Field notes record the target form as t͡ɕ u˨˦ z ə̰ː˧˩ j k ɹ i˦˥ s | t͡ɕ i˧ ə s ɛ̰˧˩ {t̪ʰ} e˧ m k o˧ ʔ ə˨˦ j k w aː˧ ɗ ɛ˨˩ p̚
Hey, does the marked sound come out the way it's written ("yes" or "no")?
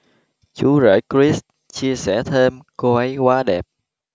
yes